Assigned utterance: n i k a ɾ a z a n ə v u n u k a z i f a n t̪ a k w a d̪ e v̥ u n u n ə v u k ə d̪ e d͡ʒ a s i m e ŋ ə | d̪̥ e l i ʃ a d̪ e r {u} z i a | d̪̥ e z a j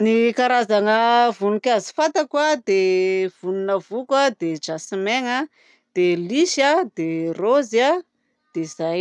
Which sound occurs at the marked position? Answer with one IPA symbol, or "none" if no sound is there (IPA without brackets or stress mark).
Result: o